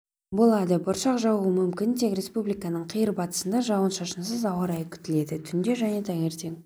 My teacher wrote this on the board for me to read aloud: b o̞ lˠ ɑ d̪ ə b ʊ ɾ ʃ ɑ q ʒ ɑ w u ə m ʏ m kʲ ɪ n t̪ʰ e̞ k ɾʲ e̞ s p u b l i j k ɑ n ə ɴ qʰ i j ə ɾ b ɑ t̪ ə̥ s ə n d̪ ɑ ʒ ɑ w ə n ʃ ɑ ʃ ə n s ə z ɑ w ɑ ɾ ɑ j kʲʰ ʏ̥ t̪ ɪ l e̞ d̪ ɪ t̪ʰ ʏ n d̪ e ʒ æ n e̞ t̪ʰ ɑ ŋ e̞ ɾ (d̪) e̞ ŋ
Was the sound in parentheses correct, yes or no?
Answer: no